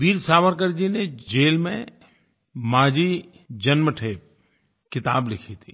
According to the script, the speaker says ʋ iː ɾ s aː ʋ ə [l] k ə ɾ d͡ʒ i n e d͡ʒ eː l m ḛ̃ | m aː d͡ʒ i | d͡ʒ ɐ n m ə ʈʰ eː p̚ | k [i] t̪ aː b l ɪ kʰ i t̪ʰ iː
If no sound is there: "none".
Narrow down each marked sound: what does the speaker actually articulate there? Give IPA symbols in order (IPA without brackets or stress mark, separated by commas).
ɾ, ɪ